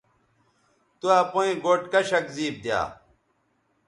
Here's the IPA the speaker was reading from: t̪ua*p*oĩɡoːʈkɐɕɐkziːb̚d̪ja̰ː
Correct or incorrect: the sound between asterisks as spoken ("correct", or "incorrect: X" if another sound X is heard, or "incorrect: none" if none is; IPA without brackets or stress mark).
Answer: correct